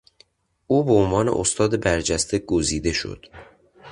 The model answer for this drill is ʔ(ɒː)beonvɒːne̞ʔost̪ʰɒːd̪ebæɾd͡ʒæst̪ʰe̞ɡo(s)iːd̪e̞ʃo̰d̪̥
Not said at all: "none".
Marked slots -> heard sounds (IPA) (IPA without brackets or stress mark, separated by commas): uː, z